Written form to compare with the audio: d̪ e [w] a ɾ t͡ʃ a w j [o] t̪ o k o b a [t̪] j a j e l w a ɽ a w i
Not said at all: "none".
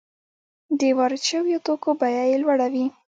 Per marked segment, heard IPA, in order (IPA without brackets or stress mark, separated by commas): w, o, none